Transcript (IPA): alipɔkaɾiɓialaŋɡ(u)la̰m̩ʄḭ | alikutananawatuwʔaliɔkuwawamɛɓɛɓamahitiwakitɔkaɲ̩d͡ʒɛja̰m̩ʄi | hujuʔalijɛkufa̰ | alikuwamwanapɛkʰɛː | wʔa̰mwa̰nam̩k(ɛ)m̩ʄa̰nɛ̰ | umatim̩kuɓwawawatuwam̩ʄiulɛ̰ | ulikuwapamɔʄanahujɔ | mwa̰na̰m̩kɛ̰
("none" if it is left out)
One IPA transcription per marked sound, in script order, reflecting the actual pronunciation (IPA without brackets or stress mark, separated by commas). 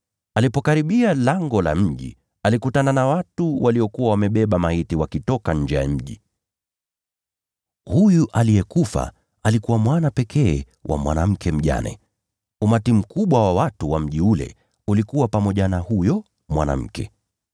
ɔ, ɛ